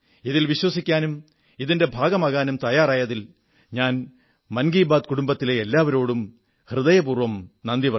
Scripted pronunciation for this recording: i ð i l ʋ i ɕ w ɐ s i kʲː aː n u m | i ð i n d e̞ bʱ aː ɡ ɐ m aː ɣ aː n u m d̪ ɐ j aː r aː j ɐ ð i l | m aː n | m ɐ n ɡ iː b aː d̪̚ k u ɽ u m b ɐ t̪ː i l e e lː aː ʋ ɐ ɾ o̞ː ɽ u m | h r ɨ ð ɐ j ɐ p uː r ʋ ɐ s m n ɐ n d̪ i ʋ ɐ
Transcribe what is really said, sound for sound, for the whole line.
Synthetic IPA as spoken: i ð i l ʋ i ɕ w ɐ s i kʲː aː n u m | i ð i n d e̞ bʱ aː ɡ ɐ m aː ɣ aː n u m t̪ ɐ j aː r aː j ɐ ð i l | ɲ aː n | m ɐ n ɡ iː b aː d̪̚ k u ɽ u m b ɐ t̪ː i l e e lː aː ʋ ɐ ɾ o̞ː ɽ u m | h r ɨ ð ɐ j ɐ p uː r ʋ ɐ m n ɐ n d̪ i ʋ ɐ